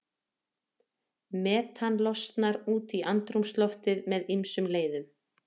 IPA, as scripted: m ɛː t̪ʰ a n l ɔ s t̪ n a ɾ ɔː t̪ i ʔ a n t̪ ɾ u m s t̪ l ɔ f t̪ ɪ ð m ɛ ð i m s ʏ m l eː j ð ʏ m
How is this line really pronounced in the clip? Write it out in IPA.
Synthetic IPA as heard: m ɛː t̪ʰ a n l ɔ s t̪ n a ɾ uː t̪ i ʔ a n t̪ ɾ u m s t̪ l ɔ f t̪ ɪ ð m ɛ ð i m s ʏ m l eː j ð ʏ m